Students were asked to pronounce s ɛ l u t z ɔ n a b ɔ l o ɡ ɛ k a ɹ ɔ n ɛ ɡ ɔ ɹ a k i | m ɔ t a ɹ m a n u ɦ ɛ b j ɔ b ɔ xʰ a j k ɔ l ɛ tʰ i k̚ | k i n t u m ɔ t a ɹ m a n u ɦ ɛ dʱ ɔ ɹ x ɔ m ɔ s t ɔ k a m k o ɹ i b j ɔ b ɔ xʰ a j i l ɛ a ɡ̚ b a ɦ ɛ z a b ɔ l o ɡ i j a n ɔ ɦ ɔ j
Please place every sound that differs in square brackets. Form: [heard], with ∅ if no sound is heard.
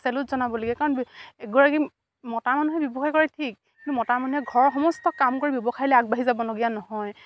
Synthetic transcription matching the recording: s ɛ l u t z ɔ n a b ɔ l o ɡ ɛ k a ɹ ɔ n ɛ ɡ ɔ ɹ a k i | m ɔ t a ɹ m a n u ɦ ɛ b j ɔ b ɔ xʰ a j k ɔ [ɹ] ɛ tʰ i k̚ | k i n t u m ɔ t a ɹ m a n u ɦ ɛ [ɡʱ] ɔ ɹ x ɔ m ɔ s t ɔ k a m k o ɹ i b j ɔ b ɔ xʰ a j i l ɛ a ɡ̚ b a ɦ [i] z a b ɔ l o ɡ i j a n ɔ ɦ ɔ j